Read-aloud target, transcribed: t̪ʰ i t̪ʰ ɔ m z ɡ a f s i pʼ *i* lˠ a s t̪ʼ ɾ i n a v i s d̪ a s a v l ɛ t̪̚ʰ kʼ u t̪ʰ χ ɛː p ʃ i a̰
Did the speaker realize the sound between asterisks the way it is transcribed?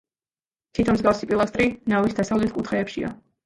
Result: yes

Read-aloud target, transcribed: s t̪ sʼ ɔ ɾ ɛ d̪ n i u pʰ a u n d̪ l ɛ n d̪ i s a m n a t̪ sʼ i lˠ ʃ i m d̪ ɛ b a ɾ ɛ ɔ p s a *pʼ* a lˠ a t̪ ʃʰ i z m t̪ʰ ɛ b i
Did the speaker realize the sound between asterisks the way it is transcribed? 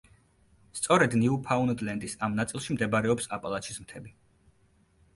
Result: yes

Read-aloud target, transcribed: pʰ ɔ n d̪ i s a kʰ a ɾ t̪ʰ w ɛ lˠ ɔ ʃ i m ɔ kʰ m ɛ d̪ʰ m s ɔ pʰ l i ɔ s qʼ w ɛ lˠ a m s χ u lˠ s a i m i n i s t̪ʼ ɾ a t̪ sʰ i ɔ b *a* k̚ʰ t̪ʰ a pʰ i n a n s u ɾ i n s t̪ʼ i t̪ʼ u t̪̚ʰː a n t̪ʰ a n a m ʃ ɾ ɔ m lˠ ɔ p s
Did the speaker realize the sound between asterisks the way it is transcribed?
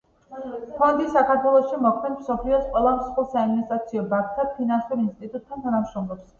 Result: yes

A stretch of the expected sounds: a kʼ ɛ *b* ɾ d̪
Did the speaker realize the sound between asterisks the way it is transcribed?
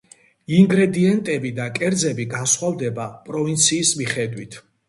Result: no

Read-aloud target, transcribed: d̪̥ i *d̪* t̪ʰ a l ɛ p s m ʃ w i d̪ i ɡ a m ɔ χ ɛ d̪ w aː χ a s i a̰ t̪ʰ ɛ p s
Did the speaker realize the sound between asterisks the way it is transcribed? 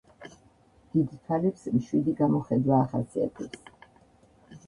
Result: yes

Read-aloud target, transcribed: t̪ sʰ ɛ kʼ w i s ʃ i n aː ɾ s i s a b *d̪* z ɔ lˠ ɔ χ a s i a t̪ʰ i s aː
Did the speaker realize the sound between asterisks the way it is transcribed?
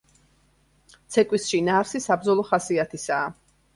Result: yes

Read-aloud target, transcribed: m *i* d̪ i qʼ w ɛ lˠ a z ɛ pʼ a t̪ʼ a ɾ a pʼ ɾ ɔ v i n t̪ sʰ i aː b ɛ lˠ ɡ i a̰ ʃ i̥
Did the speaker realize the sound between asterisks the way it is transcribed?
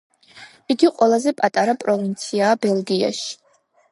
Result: yes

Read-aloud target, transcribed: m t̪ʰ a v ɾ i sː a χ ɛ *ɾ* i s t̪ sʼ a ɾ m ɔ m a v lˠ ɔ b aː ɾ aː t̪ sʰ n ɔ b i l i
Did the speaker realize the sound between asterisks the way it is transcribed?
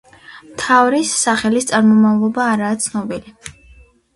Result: no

